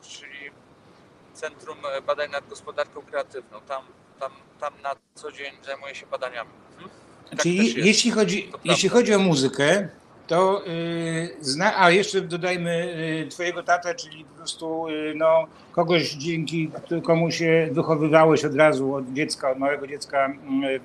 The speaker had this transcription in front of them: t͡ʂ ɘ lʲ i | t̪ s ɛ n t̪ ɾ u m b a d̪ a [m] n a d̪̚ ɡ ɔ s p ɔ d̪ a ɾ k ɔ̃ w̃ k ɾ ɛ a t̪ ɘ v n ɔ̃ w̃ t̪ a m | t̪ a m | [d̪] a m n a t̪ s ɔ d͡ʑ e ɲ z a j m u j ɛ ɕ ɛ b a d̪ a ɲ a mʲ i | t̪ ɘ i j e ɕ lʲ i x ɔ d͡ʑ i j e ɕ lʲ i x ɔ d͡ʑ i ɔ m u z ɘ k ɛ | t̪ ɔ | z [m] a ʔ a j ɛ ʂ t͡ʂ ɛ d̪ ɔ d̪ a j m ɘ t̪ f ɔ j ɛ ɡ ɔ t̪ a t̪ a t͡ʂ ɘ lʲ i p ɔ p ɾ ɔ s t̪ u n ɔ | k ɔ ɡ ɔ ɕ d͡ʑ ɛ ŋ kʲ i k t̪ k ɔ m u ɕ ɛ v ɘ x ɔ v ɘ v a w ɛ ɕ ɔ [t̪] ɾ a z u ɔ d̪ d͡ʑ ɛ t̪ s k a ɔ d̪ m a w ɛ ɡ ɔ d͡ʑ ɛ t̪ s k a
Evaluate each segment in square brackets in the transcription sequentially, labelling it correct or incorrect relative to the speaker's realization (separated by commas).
incorrect, incorrect, incorrect, incorrect